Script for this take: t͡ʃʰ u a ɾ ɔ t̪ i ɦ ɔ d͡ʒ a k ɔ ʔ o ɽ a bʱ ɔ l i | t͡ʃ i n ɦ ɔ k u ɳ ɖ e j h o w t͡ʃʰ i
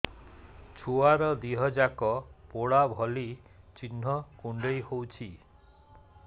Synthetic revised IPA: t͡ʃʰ u a ɾ ɔ d̪ i ɦ ɔ d͡ʒ a k ɔ p o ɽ a bʱ ɔ l i | t͡ʃ i n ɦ ɔ k u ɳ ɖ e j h o w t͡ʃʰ i